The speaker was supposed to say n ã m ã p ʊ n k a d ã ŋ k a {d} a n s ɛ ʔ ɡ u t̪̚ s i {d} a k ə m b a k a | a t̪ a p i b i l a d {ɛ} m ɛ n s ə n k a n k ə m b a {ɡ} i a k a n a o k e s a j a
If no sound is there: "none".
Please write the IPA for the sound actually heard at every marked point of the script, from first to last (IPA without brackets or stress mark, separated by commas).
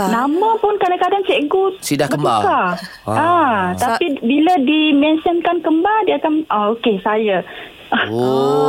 d, d, i, d